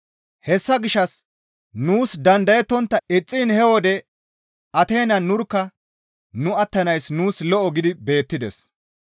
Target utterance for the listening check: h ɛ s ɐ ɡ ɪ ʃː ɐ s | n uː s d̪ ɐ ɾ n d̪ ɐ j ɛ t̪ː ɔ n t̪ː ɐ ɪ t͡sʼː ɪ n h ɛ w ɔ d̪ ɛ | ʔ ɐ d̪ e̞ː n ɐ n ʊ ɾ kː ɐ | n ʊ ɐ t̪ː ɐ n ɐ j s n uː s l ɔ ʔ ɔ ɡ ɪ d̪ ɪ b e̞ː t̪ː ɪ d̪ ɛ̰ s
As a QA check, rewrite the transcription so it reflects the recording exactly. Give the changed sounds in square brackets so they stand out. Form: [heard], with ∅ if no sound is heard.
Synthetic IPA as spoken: h ɛ [sː] ɐ ɡ ɪ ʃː ɐ s | n uː s d̪ ɐ [∅] n d̪ ɐ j ɛ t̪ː ɔ n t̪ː ɐ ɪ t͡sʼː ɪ n h ɛ w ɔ d̪ ɛ | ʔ ɐ [t̪] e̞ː n ɐ n ʊ ɾ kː ɐ | n ʊ ɐ t̪ː ɐ n ɐ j s n uː s l ɔ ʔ ɔ ɡ ɪ d̪ ɪ b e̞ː t̪ː ɪ d̪ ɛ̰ s